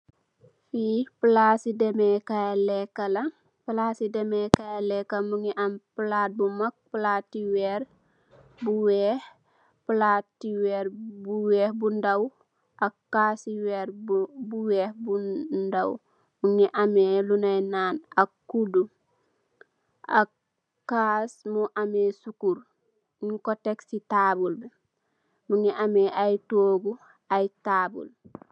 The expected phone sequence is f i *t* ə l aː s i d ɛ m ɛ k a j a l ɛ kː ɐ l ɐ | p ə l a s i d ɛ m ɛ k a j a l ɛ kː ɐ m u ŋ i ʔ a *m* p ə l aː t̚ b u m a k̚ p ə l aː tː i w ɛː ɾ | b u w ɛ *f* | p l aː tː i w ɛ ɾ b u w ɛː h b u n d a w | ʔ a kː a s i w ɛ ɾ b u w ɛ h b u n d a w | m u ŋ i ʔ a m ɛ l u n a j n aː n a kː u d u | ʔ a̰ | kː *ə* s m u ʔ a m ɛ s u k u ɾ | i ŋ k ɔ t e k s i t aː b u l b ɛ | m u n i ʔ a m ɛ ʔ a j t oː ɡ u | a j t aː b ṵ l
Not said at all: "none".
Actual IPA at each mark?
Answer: p, m, h, a

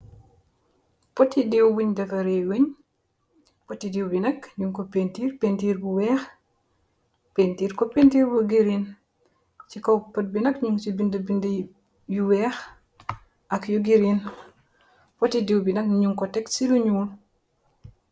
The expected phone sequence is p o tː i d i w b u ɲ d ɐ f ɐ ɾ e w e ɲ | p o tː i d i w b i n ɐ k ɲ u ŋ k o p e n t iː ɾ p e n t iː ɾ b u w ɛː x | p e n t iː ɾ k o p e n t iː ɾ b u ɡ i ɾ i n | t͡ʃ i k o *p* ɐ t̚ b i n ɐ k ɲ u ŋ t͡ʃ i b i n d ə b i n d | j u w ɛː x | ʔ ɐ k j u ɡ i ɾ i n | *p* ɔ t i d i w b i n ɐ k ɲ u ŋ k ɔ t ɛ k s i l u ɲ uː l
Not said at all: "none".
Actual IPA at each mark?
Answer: p, p

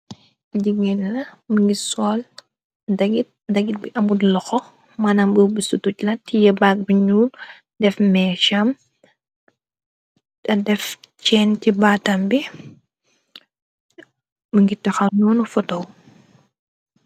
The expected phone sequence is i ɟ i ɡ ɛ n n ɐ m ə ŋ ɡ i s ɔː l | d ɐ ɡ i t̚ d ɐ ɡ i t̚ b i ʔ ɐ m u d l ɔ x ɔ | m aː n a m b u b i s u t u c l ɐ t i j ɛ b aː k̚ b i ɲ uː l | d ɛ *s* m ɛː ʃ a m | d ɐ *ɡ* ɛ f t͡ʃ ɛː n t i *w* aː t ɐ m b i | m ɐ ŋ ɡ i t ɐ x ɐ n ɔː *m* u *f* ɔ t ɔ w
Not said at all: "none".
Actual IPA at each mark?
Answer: f, d, b, n, f

